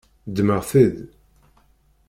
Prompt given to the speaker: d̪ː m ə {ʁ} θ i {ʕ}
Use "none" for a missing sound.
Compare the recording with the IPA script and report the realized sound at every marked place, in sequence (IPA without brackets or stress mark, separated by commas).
ʁ, ð